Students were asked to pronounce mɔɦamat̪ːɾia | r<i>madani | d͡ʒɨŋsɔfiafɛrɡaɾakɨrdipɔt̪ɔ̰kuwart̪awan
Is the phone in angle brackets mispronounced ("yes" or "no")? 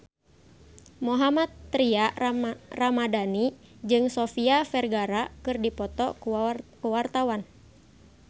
yes